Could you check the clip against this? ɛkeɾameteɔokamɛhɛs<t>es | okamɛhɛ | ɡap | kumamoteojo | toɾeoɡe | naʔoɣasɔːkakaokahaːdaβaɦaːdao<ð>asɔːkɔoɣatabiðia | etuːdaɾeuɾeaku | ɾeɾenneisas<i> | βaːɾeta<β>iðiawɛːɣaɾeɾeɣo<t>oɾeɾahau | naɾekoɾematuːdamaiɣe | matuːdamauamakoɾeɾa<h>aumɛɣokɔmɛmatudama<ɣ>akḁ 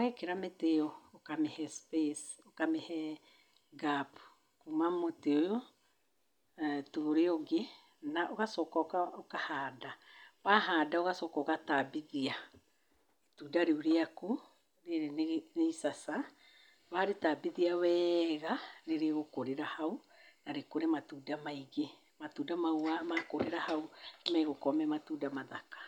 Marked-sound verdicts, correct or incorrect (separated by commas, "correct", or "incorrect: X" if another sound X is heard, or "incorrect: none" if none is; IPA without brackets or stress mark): incorrect: p, incorrect: ɣ, incorrect: a, incorrect: b, incorrect: k, correct, incorrect: ð